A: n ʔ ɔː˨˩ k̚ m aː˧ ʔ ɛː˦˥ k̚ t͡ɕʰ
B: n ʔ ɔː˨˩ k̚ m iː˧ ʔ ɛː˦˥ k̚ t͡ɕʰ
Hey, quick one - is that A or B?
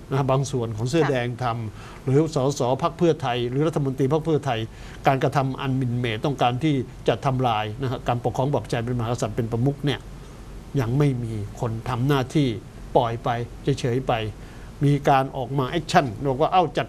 A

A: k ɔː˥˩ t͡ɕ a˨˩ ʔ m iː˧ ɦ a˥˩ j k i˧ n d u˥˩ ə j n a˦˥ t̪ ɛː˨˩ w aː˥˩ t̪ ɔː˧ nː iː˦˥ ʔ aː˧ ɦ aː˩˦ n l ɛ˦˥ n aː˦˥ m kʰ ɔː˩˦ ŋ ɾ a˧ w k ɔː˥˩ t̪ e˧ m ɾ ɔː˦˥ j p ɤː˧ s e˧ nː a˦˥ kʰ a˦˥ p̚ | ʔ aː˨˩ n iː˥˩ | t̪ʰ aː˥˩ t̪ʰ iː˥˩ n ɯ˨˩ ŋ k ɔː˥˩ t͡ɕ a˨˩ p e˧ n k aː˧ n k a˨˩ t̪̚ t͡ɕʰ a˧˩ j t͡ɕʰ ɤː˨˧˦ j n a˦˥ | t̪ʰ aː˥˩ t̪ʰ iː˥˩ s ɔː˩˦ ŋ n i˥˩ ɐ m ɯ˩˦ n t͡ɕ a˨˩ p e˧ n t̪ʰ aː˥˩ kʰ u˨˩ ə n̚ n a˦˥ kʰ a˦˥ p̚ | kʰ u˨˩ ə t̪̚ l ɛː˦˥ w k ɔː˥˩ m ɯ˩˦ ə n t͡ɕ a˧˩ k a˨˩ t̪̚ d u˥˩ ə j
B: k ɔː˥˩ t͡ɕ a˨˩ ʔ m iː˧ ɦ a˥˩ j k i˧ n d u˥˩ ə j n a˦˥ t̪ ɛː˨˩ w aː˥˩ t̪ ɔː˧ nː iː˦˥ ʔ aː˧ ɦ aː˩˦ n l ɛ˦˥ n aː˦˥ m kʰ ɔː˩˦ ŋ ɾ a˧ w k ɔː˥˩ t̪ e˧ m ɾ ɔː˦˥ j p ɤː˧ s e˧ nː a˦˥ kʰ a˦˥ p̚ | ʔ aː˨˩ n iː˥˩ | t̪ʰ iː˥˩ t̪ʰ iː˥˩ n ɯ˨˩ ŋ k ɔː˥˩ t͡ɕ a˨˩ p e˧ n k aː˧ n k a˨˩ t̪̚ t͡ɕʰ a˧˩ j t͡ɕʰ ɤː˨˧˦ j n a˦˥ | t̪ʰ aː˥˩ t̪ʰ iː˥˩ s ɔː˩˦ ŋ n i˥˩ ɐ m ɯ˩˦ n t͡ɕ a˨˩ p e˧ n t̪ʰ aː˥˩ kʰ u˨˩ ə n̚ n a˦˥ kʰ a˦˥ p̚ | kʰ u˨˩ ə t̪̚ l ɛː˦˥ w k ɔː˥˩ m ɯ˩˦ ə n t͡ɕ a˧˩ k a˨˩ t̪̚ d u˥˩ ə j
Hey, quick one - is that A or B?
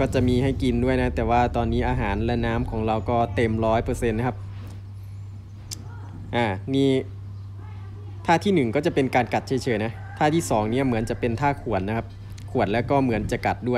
A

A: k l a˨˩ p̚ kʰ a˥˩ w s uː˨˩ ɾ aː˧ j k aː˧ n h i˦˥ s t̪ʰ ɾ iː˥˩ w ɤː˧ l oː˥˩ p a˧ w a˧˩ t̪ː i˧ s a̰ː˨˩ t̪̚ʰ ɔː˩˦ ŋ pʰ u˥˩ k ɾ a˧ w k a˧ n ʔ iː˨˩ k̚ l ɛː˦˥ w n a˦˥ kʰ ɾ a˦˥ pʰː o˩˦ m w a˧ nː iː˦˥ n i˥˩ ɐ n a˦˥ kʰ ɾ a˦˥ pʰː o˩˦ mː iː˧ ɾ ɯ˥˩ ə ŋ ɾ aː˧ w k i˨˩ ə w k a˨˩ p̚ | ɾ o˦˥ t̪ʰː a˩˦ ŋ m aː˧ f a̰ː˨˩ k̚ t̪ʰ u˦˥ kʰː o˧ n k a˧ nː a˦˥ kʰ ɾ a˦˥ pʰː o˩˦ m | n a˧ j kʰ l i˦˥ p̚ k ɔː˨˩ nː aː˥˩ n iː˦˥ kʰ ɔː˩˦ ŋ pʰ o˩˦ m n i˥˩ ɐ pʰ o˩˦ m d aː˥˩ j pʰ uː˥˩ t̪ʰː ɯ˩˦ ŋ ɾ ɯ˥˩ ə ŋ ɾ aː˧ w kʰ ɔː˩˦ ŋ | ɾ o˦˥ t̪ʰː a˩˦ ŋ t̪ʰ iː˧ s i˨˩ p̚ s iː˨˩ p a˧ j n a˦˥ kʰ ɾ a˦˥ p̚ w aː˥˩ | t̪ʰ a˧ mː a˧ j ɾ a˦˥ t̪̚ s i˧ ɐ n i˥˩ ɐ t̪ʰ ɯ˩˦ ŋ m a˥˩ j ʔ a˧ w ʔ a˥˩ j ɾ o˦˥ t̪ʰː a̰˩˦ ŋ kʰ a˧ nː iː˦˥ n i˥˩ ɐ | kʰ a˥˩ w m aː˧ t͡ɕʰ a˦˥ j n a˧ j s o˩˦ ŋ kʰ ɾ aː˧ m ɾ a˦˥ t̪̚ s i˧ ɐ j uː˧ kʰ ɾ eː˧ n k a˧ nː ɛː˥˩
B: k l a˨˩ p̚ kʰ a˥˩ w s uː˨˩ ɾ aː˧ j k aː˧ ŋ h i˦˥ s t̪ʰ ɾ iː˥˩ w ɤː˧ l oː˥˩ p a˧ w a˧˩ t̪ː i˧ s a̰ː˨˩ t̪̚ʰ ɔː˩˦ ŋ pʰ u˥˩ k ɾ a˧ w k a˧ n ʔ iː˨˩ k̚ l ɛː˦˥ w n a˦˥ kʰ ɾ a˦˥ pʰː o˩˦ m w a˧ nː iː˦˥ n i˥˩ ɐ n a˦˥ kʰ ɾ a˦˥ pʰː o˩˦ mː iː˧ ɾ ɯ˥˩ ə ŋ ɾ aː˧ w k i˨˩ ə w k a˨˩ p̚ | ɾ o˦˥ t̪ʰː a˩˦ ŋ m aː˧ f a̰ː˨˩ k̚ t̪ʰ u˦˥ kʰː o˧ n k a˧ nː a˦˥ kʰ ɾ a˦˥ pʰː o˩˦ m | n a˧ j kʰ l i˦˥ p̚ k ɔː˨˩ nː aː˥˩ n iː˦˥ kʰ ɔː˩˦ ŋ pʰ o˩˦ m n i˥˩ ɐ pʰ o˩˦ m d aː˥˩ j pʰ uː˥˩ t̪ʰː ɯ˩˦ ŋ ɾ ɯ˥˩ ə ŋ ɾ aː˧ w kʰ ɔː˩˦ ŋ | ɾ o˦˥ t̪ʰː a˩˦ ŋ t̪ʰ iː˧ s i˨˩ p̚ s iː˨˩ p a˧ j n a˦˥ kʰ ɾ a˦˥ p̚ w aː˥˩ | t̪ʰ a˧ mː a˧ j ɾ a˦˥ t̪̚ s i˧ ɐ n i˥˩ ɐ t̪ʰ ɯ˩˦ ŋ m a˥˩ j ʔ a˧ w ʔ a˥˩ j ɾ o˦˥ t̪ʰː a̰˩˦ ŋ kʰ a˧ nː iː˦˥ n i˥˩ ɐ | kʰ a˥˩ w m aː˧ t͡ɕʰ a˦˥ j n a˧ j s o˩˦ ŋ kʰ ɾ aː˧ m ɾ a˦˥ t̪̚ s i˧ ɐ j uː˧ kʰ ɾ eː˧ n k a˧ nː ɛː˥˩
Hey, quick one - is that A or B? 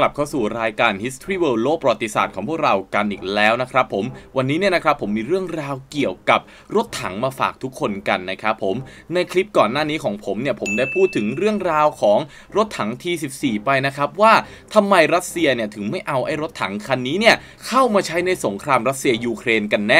A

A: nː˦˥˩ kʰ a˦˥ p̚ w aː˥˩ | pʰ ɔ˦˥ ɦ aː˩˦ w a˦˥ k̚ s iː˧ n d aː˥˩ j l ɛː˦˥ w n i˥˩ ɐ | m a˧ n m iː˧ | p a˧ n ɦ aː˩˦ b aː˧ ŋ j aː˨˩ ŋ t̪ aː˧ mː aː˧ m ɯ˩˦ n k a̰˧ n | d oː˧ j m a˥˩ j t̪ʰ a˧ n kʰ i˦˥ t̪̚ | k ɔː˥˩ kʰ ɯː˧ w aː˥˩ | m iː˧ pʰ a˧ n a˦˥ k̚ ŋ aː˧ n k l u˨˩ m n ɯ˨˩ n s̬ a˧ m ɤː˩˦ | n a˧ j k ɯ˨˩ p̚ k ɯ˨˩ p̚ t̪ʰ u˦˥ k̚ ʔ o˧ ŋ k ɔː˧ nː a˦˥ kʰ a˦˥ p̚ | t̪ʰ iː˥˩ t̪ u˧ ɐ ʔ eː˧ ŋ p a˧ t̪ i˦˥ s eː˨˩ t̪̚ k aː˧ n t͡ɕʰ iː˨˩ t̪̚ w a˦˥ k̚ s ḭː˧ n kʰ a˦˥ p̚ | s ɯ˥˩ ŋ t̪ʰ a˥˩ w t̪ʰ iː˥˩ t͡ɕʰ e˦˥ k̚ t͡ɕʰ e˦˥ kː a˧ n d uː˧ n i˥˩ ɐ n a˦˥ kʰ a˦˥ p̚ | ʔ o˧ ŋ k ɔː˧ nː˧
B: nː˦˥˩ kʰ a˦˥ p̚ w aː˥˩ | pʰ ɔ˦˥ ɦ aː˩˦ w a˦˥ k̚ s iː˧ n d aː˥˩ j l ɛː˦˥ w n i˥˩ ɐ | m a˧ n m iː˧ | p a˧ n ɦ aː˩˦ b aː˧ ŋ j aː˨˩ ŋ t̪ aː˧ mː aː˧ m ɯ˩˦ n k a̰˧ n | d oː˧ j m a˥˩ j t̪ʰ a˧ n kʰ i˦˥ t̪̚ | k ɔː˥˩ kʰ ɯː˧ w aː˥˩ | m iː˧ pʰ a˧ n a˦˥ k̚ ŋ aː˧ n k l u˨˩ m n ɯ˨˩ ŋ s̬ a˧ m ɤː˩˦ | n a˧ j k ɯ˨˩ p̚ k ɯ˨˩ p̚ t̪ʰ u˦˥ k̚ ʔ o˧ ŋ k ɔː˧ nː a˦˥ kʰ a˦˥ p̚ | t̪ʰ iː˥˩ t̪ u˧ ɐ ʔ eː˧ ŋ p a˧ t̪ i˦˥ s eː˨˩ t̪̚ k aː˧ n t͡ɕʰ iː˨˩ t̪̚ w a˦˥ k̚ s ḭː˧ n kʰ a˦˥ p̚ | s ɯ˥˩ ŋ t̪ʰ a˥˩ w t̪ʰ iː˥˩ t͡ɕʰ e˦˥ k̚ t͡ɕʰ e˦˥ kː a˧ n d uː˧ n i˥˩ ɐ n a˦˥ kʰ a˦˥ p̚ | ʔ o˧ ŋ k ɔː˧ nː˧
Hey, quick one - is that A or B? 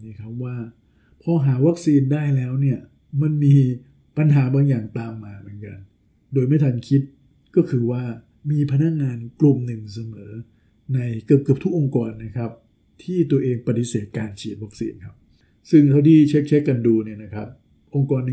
B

